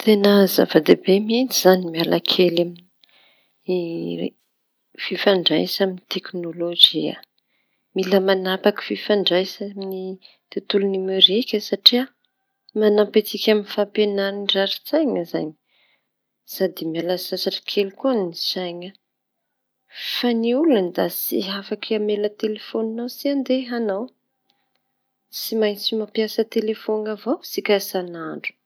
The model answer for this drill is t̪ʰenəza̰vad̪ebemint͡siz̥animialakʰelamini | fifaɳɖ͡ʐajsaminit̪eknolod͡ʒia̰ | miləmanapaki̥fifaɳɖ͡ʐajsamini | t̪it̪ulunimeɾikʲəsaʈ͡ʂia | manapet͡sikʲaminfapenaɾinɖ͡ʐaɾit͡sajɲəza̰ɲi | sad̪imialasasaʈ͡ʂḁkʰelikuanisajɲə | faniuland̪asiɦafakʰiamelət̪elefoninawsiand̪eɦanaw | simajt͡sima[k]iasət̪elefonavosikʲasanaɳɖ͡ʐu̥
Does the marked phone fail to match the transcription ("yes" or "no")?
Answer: yes